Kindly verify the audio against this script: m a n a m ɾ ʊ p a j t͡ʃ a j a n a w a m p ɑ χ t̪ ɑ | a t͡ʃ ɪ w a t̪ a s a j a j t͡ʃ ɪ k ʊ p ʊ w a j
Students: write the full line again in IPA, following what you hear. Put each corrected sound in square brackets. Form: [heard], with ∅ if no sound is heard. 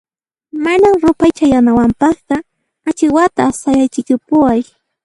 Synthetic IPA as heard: m a n a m ɾ ʊ p a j t͡ʃ a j a n a w a m p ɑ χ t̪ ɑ | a t͡ʃ ɪ w a t̪ a s a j a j t͡ʃ ɪ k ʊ p ʊ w a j